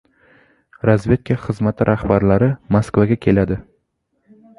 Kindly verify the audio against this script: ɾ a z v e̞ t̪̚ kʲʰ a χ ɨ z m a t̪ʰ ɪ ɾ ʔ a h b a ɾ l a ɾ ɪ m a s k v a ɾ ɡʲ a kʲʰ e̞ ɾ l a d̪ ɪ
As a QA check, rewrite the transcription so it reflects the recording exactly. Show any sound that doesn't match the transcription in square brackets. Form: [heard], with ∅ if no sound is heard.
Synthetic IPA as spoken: ɾ a z v e̞ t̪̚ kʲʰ a χ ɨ z m a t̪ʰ ɪ ɾ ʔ a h b a ɾ l a ɾ ɪ m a s k v a [∅] ɡʲ a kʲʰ e̞ [∅] l a d̪ ɪ